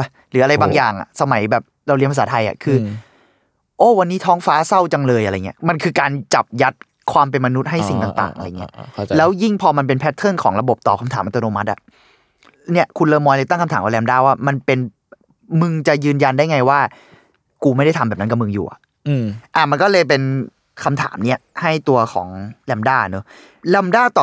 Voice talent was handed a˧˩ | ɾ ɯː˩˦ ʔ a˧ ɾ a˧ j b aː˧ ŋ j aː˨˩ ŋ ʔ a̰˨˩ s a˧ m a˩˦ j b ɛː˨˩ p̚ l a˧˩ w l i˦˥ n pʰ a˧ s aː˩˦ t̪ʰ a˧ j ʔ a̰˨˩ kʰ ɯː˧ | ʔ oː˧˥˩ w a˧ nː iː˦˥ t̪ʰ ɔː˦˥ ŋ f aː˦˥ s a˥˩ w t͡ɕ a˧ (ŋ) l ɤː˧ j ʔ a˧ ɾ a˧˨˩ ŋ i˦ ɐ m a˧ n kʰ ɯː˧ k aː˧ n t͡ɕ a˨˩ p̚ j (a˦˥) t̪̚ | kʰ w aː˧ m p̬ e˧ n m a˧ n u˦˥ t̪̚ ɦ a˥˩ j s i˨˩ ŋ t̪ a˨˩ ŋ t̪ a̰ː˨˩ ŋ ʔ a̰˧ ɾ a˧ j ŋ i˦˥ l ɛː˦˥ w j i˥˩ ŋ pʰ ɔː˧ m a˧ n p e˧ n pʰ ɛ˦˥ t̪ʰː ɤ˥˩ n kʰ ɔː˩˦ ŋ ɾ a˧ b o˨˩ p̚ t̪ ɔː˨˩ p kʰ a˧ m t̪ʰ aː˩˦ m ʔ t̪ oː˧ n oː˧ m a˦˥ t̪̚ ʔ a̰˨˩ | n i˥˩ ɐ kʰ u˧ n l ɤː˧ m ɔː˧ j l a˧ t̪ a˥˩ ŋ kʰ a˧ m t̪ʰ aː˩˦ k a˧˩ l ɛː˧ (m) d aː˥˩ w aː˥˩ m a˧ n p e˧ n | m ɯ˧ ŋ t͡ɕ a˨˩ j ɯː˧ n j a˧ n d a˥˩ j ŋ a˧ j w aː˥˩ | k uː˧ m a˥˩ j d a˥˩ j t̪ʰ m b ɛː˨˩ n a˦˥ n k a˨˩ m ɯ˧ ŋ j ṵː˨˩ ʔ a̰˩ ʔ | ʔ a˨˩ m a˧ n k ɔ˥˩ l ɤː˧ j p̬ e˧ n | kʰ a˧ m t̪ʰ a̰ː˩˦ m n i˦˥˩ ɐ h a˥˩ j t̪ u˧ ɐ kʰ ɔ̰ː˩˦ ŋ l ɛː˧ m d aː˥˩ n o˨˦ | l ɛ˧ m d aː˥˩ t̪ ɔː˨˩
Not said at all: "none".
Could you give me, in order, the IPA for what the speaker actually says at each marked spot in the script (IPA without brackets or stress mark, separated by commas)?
ŋ, a˦˥, m